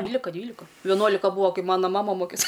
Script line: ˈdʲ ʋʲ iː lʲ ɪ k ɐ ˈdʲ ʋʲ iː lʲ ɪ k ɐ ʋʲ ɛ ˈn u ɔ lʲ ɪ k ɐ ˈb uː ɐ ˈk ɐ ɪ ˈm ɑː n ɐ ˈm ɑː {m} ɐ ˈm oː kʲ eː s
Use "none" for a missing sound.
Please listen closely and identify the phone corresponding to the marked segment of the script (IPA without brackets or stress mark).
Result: m